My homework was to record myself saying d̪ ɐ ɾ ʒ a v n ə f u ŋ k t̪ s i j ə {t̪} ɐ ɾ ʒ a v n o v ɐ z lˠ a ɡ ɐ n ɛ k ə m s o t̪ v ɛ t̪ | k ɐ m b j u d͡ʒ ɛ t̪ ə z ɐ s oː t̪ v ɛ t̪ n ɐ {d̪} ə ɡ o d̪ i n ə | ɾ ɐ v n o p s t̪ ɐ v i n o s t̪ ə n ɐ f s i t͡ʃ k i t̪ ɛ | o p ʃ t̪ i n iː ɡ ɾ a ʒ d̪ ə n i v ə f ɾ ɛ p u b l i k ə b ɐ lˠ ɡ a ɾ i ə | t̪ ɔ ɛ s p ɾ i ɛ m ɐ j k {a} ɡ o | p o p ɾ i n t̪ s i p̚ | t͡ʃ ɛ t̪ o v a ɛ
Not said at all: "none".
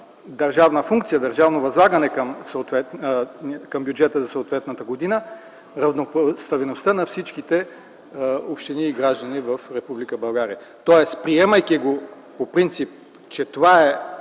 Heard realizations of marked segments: d̪, t̪, i

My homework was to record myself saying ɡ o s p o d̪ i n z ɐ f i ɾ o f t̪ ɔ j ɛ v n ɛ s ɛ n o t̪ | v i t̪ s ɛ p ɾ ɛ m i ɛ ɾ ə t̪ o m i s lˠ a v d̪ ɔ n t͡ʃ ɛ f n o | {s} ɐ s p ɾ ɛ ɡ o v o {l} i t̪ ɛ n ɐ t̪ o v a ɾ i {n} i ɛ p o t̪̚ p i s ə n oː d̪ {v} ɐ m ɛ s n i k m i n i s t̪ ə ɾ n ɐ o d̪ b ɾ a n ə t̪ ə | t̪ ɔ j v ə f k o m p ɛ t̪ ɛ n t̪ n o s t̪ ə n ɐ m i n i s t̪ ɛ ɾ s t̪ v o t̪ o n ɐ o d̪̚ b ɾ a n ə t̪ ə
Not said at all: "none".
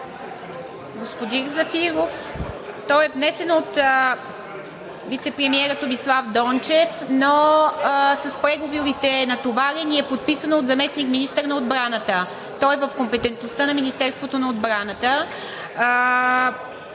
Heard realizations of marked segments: s, ɾ, n, z

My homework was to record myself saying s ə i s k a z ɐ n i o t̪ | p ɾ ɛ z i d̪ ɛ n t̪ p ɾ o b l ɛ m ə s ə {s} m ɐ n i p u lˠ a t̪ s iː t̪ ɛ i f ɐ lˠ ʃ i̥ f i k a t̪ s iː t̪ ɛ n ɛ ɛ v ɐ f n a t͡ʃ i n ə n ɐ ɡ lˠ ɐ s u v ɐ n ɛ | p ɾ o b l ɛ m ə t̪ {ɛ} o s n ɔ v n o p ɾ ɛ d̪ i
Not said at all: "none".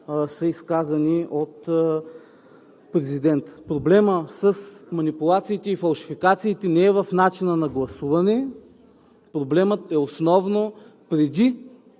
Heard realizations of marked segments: s, ɛ

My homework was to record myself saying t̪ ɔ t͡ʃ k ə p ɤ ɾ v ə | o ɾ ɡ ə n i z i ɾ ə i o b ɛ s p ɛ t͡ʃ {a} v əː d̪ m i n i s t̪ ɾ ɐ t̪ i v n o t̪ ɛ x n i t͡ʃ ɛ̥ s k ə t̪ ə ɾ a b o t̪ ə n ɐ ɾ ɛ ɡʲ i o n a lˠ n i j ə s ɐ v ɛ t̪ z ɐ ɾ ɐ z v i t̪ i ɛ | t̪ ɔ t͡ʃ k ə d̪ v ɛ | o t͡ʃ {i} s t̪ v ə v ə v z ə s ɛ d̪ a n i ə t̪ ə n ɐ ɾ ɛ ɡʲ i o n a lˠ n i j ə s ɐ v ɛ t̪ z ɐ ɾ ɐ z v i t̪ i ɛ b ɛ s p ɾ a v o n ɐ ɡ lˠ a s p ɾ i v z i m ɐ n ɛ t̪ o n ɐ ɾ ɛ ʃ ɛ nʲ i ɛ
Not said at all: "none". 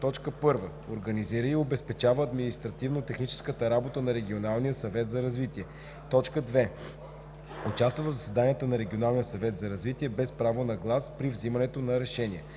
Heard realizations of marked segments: a, a

